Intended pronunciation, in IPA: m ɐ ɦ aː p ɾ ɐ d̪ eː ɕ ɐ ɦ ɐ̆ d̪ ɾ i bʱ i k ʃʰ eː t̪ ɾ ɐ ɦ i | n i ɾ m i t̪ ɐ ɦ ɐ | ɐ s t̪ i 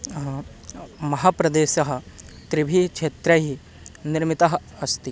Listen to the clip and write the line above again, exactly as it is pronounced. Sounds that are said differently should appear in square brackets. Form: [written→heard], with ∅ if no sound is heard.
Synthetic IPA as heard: m ɐ ɦ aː p ɾ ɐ d̪ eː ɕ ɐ ɦ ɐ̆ [d̪→t̪] ɾ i bʱ i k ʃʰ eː t̪ ɾ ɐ ɦ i | n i ɾ m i t̪ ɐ ɦ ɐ | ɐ s t̪ i